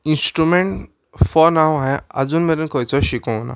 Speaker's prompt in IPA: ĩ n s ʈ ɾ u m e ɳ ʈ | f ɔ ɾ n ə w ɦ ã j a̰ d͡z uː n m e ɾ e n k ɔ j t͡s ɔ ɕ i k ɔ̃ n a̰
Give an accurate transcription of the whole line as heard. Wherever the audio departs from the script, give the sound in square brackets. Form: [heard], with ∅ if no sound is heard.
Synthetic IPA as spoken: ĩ n s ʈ ɾ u m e ɳ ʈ | f ɔ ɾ n [a] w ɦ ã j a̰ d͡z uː n m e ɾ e n k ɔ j t͡s ɔ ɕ i k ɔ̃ n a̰